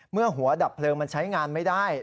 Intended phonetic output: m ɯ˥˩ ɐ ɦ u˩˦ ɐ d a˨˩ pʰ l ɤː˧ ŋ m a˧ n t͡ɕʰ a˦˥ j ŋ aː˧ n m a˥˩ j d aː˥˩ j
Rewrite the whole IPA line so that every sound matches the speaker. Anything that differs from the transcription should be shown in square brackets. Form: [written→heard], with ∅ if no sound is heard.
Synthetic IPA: m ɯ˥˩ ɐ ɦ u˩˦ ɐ d a˨˩ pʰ l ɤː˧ ŋ m a˧ n t͡ɕʰ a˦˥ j ŋ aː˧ n m a˥˩ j d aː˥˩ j